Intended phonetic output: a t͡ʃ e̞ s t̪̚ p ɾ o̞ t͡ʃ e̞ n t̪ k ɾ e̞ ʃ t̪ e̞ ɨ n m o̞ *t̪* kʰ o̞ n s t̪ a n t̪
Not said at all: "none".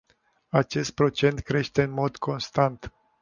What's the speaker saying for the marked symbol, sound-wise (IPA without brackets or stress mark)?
d̪